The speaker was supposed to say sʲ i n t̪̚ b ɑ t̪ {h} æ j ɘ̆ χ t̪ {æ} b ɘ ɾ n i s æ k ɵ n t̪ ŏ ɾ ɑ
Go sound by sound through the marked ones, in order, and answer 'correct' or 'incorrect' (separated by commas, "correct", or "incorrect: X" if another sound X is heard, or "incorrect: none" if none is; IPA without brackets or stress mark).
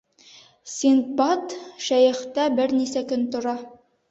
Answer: incorrect: ʃ, correct